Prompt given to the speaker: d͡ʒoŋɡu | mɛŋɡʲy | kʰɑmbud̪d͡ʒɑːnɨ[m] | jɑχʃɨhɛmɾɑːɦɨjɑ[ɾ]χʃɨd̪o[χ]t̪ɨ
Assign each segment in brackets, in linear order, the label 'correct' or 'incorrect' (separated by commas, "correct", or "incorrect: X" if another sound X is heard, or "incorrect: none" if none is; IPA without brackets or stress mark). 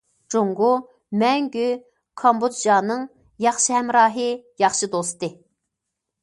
incorrect: ŋ, incorrect: none, incorrect: s